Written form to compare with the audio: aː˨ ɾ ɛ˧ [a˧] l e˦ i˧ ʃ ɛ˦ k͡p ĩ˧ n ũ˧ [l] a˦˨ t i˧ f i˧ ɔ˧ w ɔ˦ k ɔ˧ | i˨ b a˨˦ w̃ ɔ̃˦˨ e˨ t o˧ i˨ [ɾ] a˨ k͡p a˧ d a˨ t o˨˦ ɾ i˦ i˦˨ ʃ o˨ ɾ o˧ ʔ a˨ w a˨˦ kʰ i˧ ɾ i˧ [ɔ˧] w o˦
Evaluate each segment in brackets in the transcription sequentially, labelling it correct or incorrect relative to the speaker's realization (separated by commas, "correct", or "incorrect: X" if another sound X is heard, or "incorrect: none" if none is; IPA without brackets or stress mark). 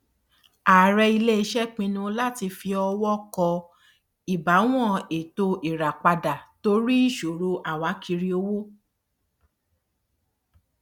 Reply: incorrect: i˧, correct, correct, incorrect: o˧